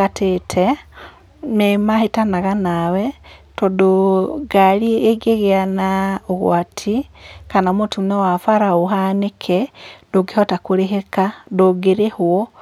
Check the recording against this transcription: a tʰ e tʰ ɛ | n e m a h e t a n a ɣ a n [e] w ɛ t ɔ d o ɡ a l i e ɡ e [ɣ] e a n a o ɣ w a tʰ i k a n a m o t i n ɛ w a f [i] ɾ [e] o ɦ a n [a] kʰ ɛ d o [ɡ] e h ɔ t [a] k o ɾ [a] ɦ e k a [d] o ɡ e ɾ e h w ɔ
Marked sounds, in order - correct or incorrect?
incorrect, correct, incorrect, incorrect, incorrect, correct, correct, incorrect, correct

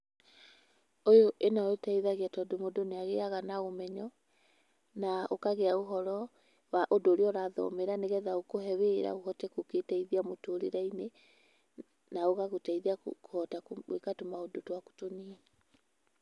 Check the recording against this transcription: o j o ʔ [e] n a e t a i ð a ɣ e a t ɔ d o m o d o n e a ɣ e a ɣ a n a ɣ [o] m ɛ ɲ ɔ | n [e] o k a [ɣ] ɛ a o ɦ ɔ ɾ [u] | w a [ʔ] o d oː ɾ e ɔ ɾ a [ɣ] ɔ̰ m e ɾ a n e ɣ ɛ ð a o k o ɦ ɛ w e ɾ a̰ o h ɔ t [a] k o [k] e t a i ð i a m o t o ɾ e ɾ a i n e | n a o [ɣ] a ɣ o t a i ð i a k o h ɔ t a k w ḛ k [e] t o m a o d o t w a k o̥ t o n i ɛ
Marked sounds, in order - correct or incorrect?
correct, correct, incorrect, correct, incorrect, correct, incorrect, incorrect, correct, correct, incorrect

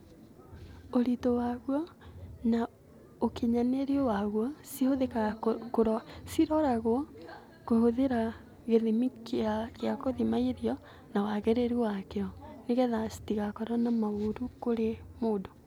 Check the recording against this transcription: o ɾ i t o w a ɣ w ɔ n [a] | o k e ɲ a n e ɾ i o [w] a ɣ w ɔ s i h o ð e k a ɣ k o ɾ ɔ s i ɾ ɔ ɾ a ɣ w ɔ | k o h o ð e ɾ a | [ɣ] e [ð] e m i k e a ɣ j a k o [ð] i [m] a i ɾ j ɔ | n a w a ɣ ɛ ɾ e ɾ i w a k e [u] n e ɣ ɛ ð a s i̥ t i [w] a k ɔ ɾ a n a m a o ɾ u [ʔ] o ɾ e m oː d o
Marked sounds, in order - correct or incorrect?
correct, correct, correct, correct, correct, correct, incorrect, incorrect, incorrect

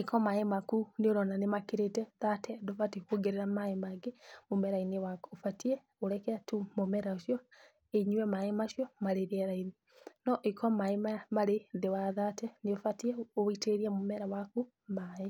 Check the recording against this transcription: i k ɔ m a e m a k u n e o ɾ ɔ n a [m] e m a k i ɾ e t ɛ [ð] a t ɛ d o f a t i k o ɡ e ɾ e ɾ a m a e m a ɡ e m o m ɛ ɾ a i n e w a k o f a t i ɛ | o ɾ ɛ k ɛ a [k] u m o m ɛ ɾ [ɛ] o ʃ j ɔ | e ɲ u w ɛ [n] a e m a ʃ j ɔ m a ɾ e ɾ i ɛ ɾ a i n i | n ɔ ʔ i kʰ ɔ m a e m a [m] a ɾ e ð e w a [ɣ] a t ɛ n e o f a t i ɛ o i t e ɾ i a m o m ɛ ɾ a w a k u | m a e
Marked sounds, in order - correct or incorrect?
incorrect, correct, incorrect, incorrect, incorrect, correct, incorrect

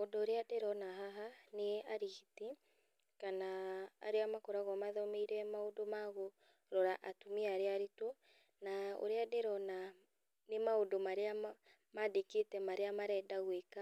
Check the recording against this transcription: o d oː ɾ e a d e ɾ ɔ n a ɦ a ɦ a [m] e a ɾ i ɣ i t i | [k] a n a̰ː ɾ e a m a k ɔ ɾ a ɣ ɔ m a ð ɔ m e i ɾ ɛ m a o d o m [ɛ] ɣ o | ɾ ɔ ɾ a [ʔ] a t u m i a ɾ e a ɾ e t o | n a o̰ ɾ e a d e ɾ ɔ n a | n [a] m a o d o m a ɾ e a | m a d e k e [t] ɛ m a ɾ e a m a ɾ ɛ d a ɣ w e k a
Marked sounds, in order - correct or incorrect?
incorrect, correct, incorrect, correct, incorrect, correct

